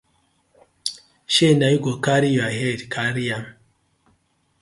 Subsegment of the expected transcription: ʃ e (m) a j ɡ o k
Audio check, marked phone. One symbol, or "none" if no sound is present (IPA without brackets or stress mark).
n